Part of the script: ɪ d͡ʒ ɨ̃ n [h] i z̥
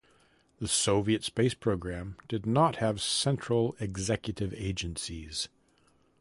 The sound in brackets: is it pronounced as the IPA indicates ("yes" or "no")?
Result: no